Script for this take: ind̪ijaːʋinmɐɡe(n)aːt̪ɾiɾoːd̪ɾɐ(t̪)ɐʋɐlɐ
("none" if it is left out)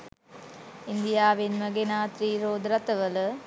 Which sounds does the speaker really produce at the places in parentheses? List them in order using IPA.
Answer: n, t̪

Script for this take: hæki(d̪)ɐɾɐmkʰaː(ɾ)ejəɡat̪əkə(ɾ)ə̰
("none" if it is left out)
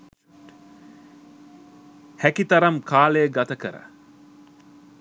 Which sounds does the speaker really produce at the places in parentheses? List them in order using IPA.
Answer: t̪, l, ɾ

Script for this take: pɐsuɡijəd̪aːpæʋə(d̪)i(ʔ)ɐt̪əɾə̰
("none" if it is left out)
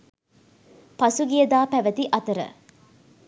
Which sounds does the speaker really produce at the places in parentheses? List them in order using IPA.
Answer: t̪, ʔ

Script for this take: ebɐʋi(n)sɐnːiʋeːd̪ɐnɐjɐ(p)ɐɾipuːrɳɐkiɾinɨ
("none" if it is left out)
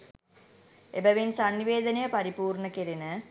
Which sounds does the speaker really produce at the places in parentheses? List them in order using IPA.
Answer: n, p

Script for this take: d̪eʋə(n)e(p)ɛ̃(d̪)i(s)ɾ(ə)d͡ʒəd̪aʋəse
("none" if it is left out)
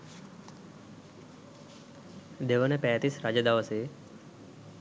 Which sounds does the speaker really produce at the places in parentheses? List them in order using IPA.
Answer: n, p, t̪, s, a

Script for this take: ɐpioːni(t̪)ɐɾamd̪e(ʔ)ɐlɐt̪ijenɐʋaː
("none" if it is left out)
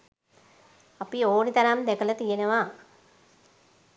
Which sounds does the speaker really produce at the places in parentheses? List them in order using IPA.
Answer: t̪, k

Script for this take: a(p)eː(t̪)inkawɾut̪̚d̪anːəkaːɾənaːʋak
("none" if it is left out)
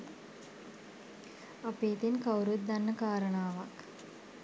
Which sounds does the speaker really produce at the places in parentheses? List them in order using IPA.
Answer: p, t̪

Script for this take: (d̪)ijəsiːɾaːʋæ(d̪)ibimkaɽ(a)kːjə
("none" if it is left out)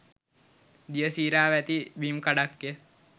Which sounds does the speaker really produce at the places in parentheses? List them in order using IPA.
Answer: d̪, t̪, a

